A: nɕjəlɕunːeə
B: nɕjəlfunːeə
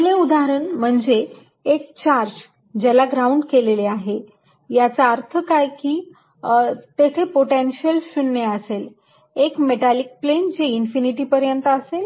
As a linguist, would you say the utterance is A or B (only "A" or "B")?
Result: A